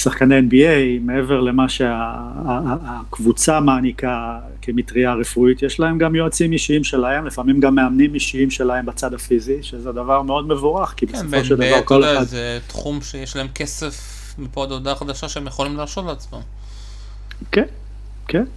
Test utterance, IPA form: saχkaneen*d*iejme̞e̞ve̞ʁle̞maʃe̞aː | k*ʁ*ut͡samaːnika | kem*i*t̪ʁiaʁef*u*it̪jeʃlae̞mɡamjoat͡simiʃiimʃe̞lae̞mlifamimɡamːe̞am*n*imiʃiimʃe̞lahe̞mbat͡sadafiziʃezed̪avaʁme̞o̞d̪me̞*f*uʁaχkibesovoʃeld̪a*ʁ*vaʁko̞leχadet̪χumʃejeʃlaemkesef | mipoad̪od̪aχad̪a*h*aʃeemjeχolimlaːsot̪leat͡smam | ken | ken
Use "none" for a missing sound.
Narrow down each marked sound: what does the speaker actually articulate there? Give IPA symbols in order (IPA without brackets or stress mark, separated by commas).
b, v, i, u, n, v, v, ʃ